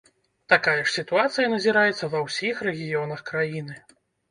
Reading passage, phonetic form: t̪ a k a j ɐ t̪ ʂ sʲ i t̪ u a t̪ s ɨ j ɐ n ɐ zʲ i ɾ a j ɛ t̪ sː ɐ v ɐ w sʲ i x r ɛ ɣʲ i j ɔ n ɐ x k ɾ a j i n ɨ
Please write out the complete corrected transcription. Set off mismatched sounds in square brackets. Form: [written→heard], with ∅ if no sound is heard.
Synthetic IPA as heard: t̪ a k a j ɐ [t̪→∅] ʂ sʲ i t̪ u a t̪ s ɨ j ɐ n ɐ zʲ i ɾ a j ɛ t̪ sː ɐ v ɐ w sʲ i x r ɛ ɣʲ i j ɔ n ɐ x k ɾ a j i n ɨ